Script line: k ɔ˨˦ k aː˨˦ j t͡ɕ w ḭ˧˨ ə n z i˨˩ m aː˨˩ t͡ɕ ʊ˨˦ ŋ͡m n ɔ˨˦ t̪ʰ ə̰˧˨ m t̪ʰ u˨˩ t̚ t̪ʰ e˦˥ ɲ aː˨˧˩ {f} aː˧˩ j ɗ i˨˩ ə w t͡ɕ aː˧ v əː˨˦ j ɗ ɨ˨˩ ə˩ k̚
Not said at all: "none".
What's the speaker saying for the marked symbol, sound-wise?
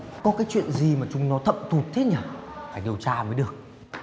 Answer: f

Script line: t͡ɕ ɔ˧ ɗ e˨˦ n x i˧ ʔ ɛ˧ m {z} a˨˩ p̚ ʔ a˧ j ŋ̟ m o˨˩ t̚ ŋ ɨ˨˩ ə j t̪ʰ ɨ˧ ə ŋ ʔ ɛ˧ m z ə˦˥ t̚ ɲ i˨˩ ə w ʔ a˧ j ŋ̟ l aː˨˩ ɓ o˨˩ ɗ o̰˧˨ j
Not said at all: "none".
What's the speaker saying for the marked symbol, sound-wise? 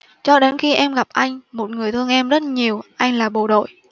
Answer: ɣ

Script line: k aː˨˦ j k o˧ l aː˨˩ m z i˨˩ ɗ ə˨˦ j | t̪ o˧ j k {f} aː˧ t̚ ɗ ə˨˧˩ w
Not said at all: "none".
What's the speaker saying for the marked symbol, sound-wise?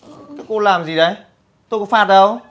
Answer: f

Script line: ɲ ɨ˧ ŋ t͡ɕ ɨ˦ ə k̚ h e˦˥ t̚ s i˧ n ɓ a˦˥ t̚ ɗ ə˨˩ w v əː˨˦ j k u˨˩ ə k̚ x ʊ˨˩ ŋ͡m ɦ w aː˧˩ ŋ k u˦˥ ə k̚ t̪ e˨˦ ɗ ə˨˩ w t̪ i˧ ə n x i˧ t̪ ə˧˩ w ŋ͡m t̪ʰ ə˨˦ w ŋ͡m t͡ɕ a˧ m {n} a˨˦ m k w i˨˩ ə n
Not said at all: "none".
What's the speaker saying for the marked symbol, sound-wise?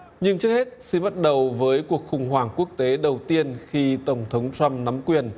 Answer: n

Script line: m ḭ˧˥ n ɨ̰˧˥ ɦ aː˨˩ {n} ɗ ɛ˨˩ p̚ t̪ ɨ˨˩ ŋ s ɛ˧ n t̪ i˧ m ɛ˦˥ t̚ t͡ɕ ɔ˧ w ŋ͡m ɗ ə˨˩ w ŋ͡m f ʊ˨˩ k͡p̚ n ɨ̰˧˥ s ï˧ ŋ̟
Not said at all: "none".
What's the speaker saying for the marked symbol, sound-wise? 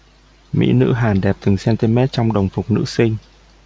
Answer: n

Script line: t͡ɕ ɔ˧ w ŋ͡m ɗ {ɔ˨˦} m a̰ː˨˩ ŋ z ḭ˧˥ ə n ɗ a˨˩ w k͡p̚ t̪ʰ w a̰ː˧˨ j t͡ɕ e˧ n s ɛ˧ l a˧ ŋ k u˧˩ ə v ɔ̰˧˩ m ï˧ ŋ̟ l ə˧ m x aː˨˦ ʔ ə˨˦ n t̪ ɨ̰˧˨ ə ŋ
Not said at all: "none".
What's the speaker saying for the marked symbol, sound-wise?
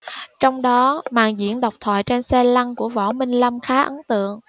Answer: ɔ˨˦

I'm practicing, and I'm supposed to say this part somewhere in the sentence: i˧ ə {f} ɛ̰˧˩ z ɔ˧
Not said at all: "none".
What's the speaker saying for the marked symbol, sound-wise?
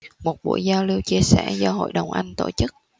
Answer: s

